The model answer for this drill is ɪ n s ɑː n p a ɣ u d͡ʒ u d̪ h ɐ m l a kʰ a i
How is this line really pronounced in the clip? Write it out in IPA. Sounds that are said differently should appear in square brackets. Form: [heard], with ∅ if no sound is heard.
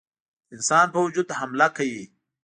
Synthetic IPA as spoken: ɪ n s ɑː n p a [w] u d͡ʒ u d̪ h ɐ m l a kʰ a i